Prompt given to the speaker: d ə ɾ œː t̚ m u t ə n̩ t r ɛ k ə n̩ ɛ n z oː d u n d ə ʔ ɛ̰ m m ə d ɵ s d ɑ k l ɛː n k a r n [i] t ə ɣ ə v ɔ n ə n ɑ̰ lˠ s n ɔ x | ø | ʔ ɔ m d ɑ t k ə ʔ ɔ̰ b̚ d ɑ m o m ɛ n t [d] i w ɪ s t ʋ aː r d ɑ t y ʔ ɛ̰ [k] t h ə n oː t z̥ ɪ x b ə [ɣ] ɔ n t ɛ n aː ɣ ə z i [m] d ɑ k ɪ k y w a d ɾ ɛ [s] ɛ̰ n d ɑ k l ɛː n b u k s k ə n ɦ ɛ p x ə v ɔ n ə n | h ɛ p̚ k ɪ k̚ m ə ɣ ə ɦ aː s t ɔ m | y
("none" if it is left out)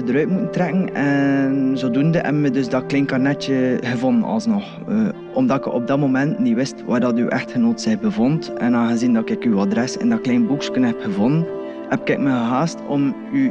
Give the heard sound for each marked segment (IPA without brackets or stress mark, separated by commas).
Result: ɛ, n, x, v, n, s